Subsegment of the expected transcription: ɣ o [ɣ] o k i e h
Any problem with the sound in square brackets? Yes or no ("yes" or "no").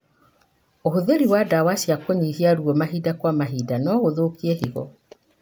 yes